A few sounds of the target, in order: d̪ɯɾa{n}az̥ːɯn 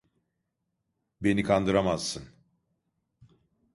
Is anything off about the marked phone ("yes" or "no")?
yes